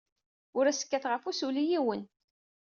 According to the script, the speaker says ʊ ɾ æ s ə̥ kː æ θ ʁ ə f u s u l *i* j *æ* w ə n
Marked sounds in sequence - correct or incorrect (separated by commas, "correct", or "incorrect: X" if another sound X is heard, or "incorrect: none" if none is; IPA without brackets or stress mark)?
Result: correct, incorrect: i